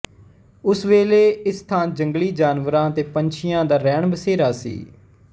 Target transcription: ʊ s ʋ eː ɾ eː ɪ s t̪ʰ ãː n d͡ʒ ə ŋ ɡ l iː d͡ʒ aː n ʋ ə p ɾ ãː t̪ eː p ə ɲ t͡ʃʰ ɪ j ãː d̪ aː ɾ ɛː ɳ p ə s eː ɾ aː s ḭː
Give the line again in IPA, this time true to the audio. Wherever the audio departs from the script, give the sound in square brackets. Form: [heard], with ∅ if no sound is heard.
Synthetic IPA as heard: ʊ s ʋ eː [l] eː ɪ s t̪ʰ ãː n d͡ʒ ə ŋ ɡ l iː d͡ʒ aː n ʋ ə [∅] ɾ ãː t̪ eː p ə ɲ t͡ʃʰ ɪ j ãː d̪ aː ɾ ɛː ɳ [b] ə s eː ɾ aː s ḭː